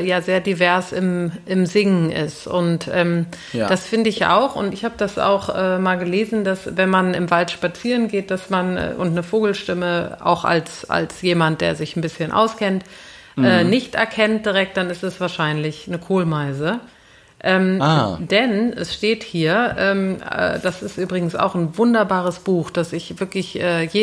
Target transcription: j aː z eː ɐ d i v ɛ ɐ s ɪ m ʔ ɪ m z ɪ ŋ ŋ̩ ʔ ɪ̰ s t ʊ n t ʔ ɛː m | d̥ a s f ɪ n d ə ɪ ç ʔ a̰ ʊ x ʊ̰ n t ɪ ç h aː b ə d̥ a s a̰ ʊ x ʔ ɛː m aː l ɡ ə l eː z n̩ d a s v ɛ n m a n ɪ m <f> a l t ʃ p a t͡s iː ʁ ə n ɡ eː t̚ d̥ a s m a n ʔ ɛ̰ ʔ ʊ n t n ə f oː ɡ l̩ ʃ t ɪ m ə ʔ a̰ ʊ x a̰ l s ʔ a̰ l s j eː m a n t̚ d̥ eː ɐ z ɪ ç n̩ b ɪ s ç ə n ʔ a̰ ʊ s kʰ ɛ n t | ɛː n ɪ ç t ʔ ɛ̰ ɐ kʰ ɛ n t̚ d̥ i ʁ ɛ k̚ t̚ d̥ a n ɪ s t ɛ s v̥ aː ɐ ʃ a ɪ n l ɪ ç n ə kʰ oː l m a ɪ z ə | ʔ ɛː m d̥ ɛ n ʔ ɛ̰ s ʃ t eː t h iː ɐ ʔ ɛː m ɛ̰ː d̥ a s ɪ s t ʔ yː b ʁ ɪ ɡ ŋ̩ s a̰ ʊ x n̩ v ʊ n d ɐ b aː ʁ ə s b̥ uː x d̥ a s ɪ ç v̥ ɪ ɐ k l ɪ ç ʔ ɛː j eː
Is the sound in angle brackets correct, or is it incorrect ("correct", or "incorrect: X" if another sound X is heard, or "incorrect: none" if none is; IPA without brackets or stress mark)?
incorrect: v